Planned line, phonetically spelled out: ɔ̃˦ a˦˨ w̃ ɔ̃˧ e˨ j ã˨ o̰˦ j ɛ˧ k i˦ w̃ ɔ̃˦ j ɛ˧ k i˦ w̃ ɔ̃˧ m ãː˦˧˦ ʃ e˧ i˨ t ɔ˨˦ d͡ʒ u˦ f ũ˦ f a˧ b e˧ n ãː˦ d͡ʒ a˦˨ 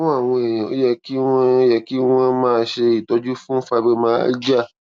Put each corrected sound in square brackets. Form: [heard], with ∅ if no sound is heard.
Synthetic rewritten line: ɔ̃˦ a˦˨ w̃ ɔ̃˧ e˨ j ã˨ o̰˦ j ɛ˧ k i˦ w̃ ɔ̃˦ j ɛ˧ k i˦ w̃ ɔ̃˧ m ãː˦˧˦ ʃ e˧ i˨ t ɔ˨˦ d͡ʒ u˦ f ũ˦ f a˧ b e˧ [m] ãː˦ d͡ʒ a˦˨